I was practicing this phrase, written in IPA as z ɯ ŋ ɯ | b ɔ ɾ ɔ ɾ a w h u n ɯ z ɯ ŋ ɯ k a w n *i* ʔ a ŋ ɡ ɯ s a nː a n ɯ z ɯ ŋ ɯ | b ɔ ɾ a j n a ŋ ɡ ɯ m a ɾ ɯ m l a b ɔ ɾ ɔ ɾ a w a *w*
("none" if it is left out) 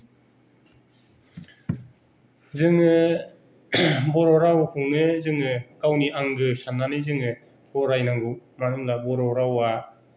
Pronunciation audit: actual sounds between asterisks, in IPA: i, none

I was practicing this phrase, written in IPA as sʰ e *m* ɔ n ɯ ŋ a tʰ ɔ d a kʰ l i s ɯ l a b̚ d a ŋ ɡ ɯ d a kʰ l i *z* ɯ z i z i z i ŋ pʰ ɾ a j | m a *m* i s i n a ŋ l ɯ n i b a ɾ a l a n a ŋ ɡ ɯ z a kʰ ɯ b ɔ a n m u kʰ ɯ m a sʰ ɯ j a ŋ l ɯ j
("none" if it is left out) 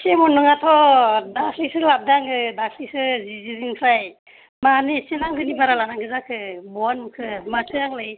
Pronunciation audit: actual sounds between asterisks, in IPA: m, s, n

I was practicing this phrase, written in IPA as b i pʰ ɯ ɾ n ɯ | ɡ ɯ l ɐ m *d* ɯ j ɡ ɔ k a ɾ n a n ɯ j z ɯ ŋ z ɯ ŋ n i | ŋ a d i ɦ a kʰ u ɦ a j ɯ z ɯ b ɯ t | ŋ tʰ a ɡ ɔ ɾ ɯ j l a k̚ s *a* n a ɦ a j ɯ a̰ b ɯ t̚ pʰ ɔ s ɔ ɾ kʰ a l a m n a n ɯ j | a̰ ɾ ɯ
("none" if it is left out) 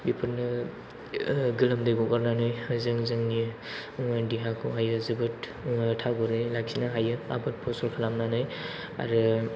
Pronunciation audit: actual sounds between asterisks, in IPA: d, i

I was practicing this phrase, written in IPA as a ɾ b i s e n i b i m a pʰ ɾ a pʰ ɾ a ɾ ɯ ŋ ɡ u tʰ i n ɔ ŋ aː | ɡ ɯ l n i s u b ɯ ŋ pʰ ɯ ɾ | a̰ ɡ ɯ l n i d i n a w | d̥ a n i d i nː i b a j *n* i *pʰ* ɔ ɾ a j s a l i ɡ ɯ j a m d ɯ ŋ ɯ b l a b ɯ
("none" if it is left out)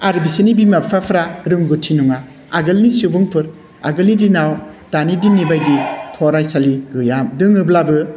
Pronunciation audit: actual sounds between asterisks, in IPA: d, tʰ

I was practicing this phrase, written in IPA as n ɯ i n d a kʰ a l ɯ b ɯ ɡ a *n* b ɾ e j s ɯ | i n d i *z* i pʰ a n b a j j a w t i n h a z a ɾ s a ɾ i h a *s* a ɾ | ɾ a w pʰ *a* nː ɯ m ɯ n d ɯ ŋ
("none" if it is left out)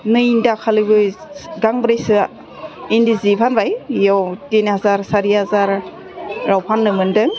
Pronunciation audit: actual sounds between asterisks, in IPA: ŋ, z, z, a

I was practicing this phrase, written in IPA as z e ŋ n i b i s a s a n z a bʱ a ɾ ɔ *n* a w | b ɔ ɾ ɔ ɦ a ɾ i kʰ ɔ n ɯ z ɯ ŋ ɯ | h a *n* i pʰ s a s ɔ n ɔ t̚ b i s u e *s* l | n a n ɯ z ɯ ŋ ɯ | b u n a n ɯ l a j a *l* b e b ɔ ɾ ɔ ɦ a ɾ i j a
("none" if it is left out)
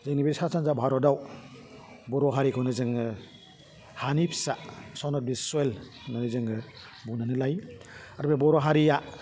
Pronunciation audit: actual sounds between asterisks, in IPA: d, n, none, ɾ

